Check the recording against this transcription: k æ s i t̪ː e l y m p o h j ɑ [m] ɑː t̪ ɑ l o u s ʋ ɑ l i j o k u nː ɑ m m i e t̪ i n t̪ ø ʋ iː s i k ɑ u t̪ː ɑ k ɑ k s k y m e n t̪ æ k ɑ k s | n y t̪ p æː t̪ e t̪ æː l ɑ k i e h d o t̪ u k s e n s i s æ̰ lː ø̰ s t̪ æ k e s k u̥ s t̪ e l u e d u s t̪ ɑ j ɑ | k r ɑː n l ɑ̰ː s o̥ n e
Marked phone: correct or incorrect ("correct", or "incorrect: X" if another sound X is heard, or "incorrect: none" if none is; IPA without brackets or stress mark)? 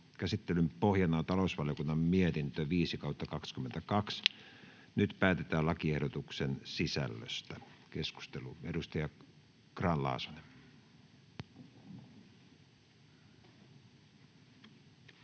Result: incorrect: n